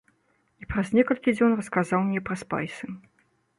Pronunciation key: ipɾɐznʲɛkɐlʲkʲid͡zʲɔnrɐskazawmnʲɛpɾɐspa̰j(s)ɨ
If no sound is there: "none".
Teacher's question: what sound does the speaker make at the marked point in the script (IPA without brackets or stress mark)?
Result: s